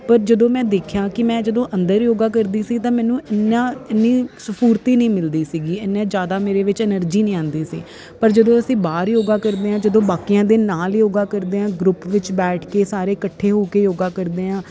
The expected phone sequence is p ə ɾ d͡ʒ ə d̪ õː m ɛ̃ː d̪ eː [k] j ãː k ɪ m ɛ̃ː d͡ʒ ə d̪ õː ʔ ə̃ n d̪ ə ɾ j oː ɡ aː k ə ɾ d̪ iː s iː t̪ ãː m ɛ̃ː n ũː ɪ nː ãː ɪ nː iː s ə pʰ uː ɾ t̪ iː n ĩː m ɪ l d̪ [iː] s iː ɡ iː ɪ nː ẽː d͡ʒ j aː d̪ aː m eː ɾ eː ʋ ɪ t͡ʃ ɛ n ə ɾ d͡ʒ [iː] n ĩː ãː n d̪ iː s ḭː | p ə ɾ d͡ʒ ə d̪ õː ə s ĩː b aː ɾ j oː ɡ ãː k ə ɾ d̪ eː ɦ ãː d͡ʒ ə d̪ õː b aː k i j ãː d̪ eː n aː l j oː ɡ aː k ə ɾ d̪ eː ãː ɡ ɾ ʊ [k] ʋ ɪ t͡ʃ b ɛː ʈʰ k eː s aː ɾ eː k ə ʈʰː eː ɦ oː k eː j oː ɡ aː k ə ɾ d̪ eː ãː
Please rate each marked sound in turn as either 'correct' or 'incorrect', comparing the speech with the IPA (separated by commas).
incorrect, correct, correct, incorrect